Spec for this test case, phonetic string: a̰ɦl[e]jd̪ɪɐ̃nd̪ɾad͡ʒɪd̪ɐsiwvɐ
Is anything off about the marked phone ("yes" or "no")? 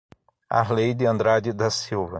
no